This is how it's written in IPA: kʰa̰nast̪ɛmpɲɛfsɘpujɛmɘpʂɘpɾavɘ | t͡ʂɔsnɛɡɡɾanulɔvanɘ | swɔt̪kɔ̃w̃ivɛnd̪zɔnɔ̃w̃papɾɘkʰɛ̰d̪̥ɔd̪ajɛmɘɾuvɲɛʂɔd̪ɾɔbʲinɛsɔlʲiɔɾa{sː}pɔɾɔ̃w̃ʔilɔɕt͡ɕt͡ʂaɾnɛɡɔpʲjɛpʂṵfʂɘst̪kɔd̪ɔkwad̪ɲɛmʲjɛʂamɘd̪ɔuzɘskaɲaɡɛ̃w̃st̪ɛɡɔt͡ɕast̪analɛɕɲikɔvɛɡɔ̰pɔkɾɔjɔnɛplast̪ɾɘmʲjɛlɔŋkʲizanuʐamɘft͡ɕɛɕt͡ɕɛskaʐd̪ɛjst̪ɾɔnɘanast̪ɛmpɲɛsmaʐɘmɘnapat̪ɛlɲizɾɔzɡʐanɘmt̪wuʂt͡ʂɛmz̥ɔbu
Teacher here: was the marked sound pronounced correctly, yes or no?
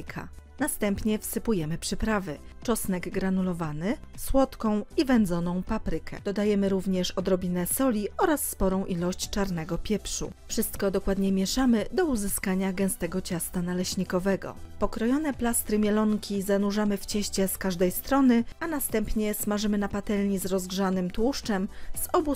yes